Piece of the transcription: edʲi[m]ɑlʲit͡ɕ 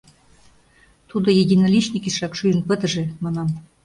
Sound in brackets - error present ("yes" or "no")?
yes